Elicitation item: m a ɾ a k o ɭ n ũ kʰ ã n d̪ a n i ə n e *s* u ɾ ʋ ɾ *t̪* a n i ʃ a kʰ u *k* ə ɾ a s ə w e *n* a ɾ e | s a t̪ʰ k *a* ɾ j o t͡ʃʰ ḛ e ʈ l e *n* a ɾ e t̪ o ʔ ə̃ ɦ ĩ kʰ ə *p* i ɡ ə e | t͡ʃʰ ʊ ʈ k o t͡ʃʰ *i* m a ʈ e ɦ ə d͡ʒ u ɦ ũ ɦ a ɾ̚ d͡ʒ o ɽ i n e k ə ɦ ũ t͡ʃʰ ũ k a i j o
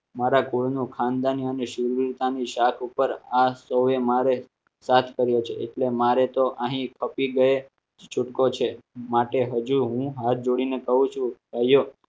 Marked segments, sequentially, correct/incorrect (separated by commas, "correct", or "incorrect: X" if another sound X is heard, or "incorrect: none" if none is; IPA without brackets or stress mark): incorrect: ʃ, correct, incorrect: p, incorrect: m, incorrect: ə, incorrect: m, correct, incorrect: e